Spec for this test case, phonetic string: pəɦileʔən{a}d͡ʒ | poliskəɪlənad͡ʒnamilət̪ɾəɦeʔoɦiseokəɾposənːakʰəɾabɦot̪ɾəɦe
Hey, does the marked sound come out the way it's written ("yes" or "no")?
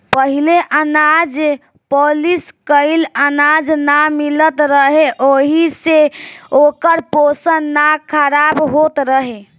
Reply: yes